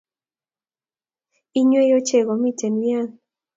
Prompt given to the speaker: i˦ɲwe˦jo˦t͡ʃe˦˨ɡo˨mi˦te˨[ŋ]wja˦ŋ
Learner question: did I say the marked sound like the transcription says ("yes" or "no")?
no